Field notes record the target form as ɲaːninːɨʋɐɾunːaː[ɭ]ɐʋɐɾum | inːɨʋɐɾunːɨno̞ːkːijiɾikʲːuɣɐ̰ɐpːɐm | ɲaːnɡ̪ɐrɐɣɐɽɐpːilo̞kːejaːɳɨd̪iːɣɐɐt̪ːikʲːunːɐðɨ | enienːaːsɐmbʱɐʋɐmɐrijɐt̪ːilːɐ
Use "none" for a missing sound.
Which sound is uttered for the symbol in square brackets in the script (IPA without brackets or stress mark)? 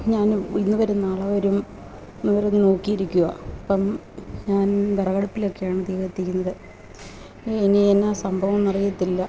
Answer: ɭ